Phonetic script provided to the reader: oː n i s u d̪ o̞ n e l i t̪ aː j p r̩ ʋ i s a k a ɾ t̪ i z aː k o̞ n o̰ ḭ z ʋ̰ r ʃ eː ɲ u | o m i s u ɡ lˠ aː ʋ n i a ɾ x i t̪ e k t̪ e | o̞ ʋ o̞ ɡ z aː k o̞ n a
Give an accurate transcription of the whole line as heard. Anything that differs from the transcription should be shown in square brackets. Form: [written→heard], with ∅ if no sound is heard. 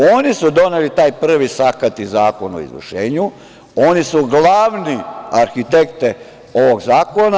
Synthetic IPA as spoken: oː n i s u d̪ o̞ n e l i t̪ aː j p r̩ ʋ i s a k a [ɾ→∅] t̪ i z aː k o̞ n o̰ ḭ z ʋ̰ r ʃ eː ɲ u | o [m→n] i s u ɡ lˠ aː ʋ n i a ɾ x i t̪ e k t̪ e | o̞ ʋ o̞ ɡ z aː k o̞ n a